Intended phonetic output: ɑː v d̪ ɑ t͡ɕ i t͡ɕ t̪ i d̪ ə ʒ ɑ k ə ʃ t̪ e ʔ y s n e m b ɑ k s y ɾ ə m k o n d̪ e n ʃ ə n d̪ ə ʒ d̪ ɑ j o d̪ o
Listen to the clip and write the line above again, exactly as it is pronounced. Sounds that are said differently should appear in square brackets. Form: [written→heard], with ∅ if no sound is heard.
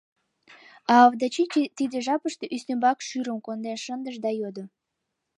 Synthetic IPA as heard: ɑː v d̪ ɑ t͡ɕ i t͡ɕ t̪ i d̪ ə ʒ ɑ [k→p] ə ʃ t̪ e ʔ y s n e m b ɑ k [s→ʃ] y ɾ ə m k o n d̪ e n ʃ ə n d̪ ə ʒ d̪ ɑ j o d̪ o